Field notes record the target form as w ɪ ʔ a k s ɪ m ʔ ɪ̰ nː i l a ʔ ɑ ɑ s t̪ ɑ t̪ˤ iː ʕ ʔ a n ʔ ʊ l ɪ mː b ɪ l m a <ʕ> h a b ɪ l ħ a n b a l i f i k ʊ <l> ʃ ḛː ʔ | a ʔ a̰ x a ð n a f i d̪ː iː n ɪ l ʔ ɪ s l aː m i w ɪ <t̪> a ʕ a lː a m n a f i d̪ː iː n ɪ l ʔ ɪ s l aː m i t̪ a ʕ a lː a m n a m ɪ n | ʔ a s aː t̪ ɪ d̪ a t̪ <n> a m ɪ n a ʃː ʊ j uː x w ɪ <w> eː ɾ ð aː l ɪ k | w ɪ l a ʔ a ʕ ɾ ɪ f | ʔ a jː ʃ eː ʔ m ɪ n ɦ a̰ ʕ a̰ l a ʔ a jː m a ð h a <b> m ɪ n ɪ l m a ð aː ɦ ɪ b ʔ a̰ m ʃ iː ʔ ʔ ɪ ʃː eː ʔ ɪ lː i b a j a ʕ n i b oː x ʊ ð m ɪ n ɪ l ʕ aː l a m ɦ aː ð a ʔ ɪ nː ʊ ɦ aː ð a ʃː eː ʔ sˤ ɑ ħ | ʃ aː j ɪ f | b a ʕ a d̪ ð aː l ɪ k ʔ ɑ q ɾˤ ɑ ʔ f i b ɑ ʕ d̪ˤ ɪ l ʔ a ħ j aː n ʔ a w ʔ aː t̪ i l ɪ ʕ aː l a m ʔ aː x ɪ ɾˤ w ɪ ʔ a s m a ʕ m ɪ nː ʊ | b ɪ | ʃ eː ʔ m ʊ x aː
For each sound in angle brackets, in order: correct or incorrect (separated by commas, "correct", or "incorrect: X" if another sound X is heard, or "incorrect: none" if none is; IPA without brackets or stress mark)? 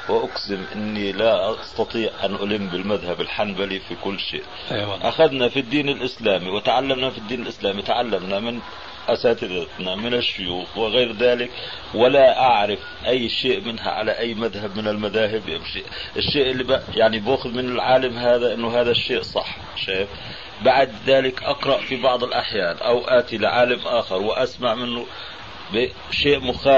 incorrect: ð, incorrect: lː, correct, correct, incorrect: ɣ, correct